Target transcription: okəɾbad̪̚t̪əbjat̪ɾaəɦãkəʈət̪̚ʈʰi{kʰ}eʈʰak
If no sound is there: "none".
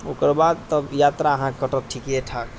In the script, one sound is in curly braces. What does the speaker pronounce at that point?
k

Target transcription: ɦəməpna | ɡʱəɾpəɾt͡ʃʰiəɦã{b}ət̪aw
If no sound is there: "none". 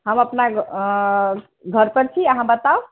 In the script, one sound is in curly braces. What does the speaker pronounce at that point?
b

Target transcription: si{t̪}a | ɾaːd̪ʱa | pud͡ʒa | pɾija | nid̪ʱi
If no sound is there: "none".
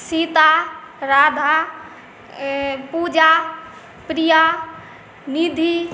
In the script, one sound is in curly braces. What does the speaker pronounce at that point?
t̪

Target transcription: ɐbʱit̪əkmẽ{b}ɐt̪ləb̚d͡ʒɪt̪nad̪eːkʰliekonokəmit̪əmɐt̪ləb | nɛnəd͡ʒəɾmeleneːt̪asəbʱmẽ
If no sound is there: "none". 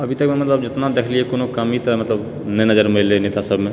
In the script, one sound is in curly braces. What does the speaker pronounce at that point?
m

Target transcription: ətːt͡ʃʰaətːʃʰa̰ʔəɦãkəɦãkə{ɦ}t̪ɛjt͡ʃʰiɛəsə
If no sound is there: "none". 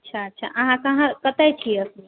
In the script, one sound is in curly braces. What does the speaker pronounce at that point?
none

